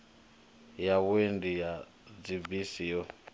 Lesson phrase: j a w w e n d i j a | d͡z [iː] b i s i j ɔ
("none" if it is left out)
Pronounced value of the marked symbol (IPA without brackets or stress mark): i